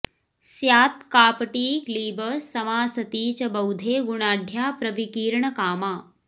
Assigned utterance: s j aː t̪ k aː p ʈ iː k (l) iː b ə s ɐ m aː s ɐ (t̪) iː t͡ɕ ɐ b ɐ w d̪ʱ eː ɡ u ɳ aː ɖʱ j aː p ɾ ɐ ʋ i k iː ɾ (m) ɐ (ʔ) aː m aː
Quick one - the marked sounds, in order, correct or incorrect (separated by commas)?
correct, correct, incorrect, incorrect